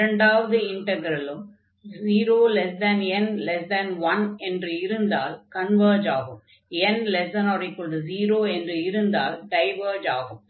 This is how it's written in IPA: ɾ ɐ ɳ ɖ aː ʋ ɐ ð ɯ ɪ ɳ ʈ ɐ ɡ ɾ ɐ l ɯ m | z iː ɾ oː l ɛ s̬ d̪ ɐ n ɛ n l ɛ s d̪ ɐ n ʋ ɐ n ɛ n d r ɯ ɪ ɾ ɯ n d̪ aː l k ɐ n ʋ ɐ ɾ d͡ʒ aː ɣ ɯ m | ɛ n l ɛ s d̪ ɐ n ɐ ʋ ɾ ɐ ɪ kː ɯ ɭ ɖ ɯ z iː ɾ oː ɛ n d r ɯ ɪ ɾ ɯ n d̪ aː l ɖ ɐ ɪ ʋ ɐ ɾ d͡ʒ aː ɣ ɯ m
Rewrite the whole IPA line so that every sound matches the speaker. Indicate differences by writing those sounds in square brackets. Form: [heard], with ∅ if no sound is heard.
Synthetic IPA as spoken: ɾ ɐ ɳ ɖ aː ʋ ɐ ð ɯ ɪ ɳ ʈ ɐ ɡ ɾ ɐ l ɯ m | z iː ɾ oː l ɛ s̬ d̪ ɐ n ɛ n l ɛ s d̪ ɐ n ʋ ɐ n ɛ n d r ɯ ɪ ɾ ɯ n d̪ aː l k ɐ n ʋ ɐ ɾ d͡ʒ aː ɣ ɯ m | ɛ n l ɛ s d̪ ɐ n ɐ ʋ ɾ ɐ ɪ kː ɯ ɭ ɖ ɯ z iː ɾ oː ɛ n d r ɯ ɪ ɾ ɯ n d̪ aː l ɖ ɐ ɪ ʋ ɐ ɾ d͡ʒ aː ɣ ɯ m

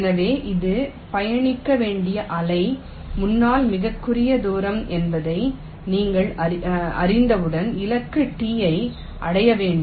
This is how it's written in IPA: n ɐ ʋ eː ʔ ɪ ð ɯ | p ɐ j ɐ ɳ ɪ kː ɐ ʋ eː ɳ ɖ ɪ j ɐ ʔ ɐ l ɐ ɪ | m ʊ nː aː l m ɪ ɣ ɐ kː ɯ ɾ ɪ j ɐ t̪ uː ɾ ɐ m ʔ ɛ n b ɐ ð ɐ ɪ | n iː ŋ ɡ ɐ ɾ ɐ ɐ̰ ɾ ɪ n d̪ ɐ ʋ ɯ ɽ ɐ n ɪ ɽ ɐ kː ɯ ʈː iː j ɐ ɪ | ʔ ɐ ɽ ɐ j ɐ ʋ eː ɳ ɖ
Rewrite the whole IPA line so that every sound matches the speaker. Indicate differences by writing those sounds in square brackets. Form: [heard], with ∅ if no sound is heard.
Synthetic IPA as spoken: n ɐ ʋ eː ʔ ɪ ð ɯ | p ɐ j ɐ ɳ ɪ kː ɐ ʋ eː ɳ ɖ ɪ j ɐ ʔ ɐ l ɐ ɪ | m ʊ nː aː l m ɪ ɣ ɐ kː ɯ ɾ ɪ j ɐ [d̪] uː ɾ ɐ m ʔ ɛ n b ɐ ð ɐ ɪ | n iː ŋ ɡ ɐ [ɭ] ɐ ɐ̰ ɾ ɪ n d̪ ɐ ʋ ɯ ɽ ɐ n ɪ [l] ɐ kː ɯ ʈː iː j ɐ ɪ | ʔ ɐ ɽ ɐ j ɐ ʋ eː ɳ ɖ

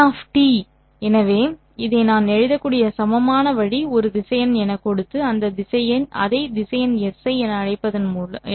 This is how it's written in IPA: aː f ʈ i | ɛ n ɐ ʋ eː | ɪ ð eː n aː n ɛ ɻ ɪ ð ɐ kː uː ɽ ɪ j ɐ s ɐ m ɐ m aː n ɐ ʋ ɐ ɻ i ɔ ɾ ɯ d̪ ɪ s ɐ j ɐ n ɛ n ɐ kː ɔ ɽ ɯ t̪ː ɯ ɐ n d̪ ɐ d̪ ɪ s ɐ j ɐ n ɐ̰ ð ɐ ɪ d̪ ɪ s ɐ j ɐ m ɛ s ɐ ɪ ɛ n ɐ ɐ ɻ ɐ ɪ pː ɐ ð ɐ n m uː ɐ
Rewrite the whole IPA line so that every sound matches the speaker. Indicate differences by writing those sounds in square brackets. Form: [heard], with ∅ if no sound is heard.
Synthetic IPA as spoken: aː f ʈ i | ɛ n ɐ ʋ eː | ɪ ð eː n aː n ɛ ɻ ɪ ð ɐ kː uː ɽ ɪ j ɐ s ɐ m ɐ m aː n ɐ ʋ ɐ ɻ i ɔ ɾ ɯ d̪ ɪ s ɐ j ɐ n ɛ n ɐ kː ɔ ɽ ɯ t̪ː ɯ ɐ n d̪ ɐ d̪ ɪ s ɐ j ɐ n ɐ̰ ð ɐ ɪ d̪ ɪ s ɐ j ɐ [n] ɛ s ɐ ɪ ɛ n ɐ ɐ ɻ ɐ ɪ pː ɐ ð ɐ n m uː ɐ

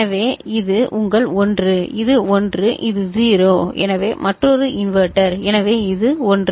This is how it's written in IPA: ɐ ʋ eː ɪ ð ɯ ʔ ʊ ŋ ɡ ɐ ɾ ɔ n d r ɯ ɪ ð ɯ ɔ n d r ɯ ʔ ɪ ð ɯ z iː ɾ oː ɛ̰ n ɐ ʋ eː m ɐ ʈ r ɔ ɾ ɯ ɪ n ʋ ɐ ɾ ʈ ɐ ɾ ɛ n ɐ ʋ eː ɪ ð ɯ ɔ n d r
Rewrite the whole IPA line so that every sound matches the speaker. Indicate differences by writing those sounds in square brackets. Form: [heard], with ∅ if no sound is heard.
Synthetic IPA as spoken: ɐ ʋ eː ɪ ð ɯ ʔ ʊ ŋ ɡ ɐ [ɭ] ɔ n d r ɯ ɪ ð ɯ ɔ n d r ɯ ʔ ɪ ð ɯ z iː ɾ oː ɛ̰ n ɐ ʋ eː m ɐ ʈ r ɔ ɾ ɯ ɪ n ʋ ɐ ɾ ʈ ɐ ɾ ɛ n ɐ ʋ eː ɪ ð ɯ ɔ n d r

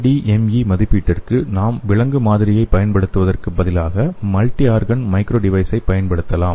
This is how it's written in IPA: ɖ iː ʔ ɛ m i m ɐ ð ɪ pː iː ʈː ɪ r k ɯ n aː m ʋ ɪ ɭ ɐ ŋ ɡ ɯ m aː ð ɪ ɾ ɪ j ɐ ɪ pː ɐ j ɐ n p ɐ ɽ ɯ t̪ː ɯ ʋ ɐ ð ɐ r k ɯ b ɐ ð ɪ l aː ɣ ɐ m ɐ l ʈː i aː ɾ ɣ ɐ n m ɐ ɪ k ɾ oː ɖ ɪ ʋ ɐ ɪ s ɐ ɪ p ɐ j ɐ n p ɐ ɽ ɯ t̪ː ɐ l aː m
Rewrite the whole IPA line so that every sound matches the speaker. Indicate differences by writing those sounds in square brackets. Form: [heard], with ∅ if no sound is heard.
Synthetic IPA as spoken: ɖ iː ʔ ɛ m i m ɐ ð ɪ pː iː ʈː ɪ r k ɯ n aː m ʋ ɪ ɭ ɐ ŋ ɡ ɯ m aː ð ɪ ɾ ɪ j ɐ ɪ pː ɐ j ɐ n p ɐ ɽ ɯ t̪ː ɯ ʋ ɐ ð ɐ r k ɯ b ɐ ð ɪ l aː ɣ ɐ m ɐ l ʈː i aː ɾ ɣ ɐ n m ɐ ɪ k ɾ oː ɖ ɪ ʋ ɐ ɪ s ɐ ɪ p ɐ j ɐ n p ɐ ɽ ɯ t̪ː ɐ l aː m

